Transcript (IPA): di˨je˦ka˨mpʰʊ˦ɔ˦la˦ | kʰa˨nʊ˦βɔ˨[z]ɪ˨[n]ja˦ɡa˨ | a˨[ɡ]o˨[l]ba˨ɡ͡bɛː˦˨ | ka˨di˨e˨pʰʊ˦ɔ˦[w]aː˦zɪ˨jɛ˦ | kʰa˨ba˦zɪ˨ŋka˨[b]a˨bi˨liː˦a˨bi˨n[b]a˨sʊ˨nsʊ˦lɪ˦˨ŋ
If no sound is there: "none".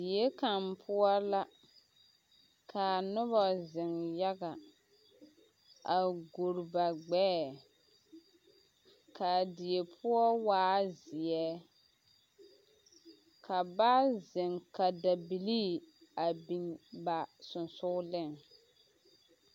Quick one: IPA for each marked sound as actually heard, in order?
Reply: z, ŋ, ɡ, ɾ, w, d, b

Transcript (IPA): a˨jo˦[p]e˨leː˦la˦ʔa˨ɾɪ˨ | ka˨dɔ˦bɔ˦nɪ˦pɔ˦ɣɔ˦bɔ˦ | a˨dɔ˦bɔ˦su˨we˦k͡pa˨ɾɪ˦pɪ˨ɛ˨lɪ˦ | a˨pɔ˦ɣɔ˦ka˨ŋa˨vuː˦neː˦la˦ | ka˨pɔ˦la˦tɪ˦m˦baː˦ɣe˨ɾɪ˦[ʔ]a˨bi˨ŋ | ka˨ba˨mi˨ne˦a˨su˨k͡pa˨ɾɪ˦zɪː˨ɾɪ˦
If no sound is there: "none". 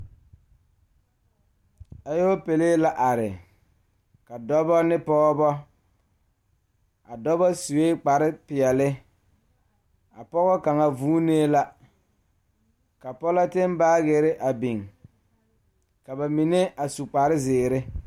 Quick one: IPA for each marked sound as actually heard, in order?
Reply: p, ʔ

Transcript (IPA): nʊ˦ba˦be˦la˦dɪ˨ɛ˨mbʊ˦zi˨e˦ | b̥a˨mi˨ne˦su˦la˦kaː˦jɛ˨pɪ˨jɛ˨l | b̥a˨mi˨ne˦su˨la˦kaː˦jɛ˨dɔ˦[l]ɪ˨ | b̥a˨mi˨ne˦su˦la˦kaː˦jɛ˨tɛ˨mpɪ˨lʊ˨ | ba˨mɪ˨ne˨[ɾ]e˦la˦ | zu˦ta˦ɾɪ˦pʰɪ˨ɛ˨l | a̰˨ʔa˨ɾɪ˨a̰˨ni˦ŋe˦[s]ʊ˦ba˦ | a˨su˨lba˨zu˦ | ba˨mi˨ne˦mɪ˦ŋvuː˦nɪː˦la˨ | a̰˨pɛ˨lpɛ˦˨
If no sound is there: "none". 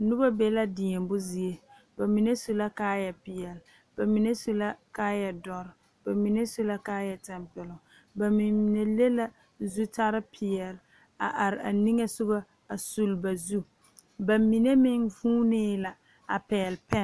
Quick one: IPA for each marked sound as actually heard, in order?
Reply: ɾ, l, s

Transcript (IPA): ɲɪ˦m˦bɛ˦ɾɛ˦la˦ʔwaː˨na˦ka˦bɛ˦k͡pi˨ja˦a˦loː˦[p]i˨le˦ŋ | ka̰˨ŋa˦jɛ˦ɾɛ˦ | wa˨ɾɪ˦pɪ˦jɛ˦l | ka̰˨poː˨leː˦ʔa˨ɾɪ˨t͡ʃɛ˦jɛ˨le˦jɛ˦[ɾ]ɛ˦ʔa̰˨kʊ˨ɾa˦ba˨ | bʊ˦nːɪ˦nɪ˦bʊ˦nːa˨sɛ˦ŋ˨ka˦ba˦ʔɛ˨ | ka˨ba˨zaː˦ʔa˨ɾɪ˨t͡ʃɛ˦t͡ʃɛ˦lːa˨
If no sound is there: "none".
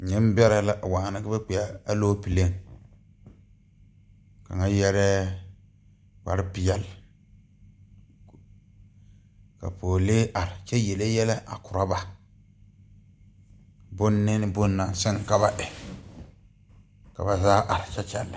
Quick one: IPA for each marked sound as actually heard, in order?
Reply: p, l

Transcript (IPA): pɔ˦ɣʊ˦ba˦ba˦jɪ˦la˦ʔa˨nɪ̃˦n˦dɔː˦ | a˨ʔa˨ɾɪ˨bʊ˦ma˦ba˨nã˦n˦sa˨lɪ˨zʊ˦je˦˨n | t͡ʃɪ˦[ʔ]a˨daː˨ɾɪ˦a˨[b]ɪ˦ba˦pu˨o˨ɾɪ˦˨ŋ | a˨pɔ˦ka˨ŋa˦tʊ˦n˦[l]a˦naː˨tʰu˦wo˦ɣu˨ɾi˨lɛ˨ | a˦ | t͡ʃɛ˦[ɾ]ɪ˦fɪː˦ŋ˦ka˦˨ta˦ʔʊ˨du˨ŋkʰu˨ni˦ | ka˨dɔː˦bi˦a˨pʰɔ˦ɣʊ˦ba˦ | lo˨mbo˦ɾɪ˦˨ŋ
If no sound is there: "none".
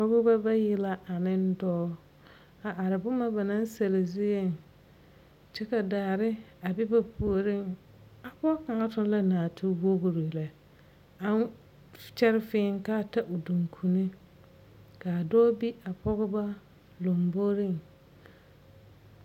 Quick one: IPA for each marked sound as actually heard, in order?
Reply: k, b, l, ɾ

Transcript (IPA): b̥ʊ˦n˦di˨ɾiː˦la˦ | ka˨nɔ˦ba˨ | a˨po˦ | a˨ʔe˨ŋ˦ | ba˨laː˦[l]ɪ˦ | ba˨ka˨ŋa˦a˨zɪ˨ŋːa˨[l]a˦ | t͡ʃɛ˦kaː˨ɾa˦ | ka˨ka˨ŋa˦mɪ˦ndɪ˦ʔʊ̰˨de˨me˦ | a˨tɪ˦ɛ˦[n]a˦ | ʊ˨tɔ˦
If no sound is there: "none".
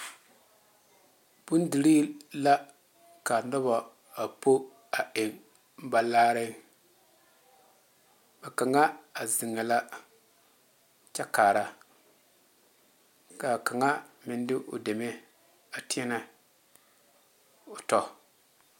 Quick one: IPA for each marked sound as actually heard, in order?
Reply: ɾ, l, n

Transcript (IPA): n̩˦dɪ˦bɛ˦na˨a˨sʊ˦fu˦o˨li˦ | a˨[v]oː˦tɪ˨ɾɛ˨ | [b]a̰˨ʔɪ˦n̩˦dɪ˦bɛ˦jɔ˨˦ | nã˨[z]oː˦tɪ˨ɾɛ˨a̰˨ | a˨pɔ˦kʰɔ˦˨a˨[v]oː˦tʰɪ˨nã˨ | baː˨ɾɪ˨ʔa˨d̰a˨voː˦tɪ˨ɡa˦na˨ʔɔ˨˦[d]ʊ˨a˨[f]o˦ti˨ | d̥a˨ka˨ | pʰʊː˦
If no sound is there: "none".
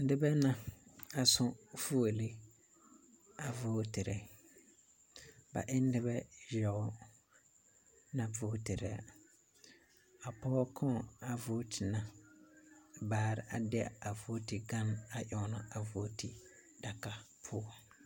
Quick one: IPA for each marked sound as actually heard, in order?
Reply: v, b, v, v, n, v

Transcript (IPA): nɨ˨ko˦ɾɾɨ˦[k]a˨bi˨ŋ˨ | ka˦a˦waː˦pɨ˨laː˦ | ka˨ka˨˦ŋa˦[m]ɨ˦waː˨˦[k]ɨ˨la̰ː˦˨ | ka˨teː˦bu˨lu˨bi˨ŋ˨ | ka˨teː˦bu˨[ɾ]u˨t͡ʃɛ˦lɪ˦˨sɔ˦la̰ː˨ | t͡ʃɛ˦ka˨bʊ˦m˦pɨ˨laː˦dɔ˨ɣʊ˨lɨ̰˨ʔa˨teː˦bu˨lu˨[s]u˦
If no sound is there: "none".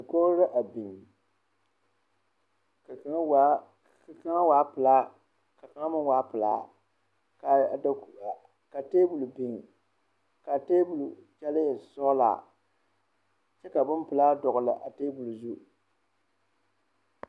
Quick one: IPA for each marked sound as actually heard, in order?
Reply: ʔ, m, p, l, z

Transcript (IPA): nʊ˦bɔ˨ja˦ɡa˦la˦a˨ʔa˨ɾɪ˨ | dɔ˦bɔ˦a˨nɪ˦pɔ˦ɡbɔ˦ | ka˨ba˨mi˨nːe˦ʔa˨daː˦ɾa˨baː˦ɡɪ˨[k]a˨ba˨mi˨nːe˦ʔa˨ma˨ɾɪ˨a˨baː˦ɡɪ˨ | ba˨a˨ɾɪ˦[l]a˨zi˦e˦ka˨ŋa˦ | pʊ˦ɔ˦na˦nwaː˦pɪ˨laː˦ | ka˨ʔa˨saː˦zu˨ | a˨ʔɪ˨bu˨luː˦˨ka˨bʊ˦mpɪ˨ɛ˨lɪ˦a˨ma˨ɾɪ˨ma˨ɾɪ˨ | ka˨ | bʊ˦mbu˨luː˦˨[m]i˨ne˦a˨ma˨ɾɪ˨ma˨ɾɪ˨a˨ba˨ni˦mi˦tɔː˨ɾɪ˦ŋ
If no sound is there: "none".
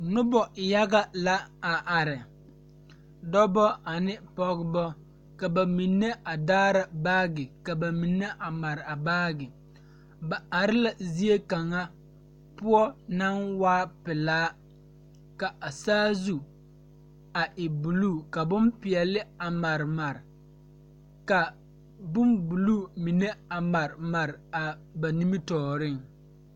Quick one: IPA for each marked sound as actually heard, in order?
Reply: k, l, m

